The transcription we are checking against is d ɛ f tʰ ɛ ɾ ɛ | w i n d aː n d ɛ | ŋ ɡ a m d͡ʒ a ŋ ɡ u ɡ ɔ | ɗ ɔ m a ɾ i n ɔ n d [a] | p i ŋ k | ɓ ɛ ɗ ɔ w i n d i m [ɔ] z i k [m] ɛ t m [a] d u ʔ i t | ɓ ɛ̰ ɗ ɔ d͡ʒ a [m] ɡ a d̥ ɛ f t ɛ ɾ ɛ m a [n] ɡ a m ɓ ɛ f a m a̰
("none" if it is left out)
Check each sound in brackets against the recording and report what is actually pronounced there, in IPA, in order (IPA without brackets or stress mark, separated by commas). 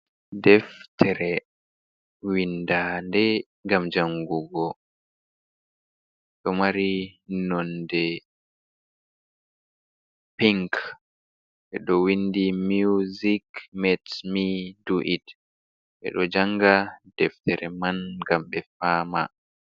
ɛ, u, m, i, ŋ, n